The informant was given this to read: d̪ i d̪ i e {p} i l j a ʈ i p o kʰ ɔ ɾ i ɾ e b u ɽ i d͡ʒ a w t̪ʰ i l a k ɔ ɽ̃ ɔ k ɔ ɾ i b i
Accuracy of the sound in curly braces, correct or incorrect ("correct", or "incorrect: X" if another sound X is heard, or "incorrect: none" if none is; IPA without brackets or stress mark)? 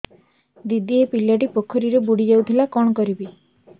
correct